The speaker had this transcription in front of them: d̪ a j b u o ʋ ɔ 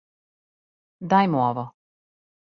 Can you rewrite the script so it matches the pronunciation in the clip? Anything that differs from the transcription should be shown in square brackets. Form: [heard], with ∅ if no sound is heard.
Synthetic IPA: d̪ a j [m] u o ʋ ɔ